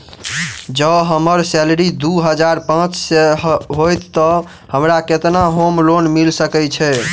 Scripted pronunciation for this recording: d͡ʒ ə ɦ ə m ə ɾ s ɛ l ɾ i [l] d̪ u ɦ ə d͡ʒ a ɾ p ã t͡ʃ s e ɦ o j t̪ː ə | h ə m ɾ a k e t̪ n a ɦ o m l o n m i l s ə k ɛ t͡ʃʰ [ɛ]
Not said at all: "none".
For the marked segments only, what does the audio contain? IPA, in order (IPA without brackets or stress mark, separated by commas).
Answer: none, ɛ